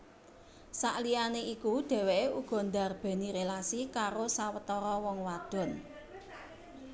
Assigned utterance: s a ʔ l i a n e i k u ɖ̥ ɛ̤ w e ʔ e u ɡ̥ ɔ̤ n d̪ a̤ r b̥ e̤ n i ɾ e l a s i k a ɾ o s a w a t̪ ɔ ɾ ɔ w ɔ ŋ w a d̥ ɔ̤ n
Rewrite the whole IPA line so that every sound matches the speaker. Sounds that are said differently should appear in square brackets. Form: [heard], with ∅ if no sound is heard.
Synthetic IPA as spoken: s a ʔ l i a n e i k u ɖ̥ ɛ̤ w e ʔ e u ɡ̥ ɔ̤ n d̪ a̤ r b̥ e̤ n i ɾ e l a s i k a ɾ o s a w [ə] t̪ ɔ ɾ ɔ w ɔ ŋ w a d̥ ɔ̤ n

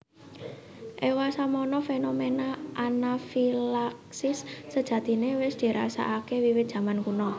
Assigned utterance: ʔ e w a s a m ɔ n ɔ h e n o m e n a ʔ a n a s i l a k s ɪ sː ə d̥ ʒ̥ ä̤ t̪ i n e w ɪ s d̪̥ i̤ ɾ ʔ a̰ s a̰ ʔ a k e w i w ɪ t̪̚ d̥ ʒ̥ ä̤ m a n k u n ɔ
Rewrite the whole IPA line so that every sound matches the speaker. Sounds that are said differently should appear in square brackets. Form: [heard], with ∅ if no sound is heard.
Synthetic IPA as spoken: ʔ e w a s a m ɔ n ɔ [f] e n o m e n a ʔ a n a [f] i l a k s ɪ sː ə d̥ ʒ̥ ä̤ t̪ i n e w ɪ s d̪̥ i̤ ɾ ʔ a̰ s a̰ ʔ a k e w i w ɪ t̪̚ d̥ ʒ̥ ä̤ m a n k u n ɔ

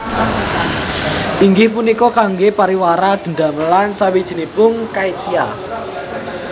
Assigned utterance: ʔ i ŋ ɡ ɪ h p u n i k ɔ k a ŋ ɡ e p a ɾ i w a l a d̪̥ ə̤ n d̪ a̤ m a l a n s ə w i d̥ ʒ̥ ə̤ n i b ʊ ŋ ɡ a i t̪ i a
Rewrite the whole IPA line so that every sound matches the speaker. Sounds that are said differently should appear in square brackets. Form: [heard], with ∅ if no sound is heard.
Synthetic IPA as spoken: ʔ i ŋ ɡ ɪ h p u n i k ɔ k a ŋ ɡ e p a ɾ i w a [ɾ] a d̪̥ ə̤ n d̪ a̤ m [ə] l a n s [a] w i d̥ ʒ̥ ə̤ n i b ʊ ŋ [k] a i t̪ i a

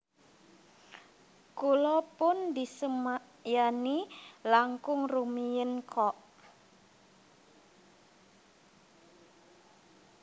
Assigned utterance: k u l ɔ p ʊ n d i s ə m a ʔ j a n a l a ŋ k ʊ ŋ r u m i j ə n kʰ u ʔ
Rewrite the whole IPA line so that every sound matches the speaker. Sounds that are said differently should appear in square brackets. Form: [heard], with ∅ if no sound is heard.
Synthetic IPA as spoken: k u l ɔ p ʊ n d i s ə m a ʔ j a n [i] l a ŋ k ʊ ŋ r u m i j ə n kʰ [ɔ] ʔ

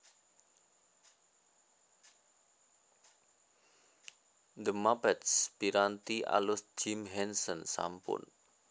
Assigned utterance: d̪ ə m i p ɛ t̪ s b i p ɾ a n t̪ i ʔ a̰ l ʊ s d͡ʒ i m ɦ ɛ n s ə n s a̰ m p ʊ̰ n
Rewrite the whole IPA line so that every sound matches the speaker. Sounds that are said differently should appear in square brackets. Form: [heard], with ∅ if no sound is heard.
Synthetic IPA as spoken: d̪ ə m [a] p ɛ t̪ s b i [∅] ɾ a n t̪ i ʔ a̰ l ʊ s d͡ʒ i m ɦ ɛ n s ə n s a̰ m p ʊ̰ n

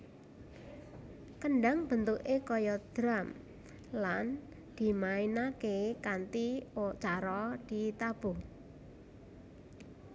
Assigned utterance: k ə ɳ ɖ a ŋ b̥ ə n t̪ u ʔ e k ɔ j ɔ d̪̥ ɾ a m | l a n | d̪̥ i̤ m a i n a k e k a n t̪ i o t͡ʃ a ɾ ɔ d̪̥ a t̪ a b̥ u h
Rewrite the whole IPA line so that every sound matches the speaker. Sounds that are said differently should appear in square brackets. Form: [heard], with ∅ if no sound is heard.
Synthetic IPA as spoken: k ə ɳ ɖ a ŋ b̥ ə n t̪ u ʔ e k ɔ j ɔ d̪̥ ɾ a m | l a n | d̪̥ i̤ m a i n a k e k a n t̪ i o t͡ʃ a ɾ ɔ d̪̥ [i] t̪ a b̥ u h

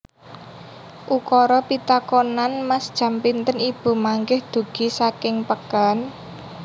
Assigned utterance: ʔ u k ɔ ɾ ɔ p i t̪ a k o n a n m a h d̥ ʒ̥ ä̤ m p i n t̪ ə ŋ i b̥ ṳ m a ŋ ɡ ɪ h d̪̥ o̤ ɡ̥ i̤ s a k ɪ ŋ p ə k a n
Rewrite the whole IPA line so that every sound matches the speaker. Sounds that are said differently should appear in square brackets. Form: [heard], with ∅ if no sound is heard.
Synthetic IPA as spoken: ʔ u k ɔ ɾ ɔ p i t̪ a k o n a n m a [s] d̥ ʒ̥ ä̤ m p i n t̪ ə [n] i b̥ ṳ m a ŋ ɡ ɪ h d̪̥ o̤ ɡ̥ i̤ s a k ɪ ŋ p ə k a n

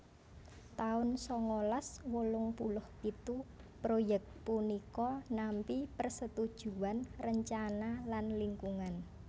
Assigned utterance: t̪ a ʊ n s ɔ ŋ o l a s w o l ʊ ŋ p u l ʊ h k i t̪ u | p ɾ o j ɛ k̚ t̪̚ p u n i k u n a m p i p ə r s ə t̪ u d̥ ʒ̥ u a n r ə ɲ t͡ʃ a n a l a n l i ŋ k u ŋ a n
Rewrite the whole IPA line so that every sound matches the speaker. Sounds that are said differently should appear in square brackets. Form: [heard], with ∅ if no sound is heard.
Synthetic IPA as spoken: t̪ a ʊ n s ɔ ŋ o l a s w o l ʊ ŋ p u l ʊ h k i t̪ u | p ɾ o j ɛ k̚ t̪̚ p u n i k [ɔ] n a m p i p ə r s ə t̪ u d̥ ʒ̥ u a n r ə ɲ t͡ʃ a n a l a n l i ŋ k u ŋ a n

